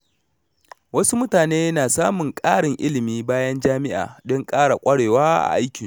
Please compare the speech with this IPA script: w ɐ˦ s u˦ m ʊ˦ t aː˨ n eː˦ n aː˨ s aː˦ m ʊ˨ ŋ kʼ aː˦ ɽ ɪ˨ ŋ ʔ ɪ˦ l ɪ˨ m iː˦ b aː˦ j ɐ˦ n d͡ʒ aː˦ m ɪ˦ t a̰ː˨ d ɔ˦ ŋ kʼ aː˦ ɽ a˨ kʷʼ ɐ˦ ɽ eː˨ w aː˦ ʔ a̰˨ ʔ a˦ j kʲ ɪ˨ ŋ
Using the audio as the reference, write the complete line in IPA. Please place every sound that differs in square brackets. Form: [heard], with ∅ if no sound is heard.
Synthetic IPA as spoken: w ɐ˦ s u˦ m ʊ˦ t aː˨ n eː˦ n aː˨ s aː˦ m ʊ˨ ŋ kʼ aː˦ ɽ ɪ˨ ŋ ʔ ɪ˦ l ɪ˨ m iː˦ b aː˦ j ɐ˦ n d͡ʒ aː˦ m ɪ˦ [ʔ] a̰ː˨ d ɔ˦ ŋ kʼ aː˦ ɽ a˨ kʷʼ ɐ˦ ɽ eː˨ w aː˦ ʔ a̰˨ ʔ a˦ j kʲ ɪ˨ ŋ